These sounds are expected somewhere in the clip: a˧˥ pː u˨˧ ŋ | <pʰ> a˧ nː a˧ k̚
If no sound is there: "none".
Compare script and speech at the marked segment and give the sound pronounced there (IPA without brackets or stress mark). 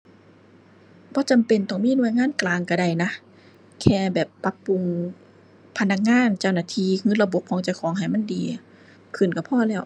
pʰ